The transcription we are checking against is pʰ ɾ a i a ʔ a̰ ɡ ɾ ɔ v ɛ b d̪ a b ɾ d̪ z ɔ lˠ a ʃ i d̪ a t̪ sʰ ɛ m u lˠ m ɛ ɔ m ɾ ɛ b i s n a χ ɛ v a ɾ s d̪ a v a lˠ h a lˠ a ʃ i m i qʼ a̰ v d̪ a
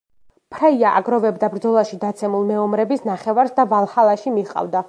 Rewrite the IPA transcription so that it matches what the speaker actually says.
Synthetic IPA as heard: pʰ ɾ a i a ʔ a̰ ɡ ɾ ɔ v ɛ b d̪ a b ɾ d̪ z ɔ lˠ a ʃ i d̪ a t̪ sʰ ɛ m u lˠ m ɛ ɔ m ɾ ɛ b i s n a χ ɛ v a ɾ s d̪ a v a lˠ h a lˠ a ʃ i m i qʼ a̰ v d̪ a